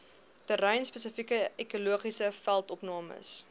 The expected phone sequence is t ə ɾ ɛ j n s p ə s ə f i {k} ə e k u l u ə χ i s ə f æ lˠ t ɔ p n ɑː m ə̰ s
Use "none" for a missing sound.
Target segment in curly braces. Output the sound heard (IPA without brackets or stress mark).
k